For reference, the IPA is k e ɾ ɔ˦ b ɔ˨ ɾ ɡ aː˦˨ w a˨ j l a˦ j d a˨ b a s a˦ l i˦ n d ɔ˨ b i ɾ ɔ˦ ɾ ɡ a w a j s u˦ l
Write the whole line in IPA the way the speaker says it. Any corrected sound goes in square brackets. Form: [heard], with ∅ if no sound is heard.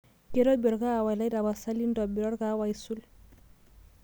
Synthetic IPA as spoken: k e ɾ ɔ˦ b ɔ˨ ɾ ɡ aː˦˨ w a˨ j l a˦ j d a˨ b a s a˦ l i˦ n d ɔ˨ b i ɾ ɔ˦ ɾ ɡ a w a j s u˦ l